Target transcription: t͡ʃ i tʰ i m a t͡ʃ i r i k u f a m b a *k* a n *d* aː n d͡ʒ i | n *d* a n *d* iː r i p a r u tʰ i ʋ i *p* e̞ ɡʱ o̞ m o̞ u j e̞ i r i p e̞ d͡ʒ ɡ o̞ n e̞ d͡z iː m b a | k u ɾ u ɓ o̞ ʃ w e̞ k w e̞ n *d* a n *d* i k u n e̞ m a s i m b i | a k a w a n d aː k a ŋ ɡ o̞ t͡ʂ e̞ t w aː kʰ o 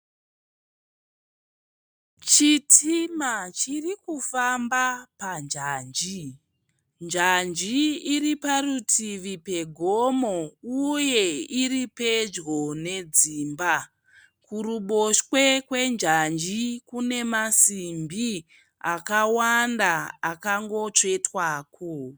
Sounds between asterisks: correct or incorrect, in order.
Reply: incorrect: p, incorrect: d͡ʒ, incorrect: d͡ʒ, incorrect: d͡ʒ, correct, incorrect: d͡ʒ, incorrect: d͡ʒ

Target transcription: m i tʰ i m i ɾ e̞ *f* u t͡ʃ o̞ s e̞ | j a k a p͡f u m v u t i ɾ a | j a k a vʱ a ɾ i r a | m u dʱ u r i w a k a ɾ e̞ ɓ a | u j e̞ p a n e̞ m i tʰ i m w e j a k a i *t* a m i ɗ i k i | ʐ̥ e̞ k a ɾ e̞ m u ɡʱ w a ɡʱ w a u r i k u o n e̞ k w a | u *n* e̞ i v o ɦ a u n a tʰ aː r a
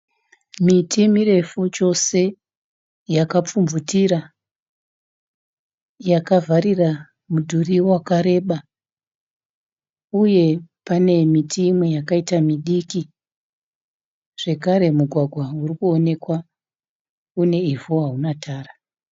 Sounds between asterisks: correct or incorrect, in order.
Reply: correct, correct, correct

